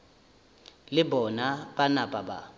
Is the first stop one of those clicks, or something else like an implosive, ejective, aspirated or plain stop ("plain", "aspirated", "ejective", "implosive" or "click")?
plain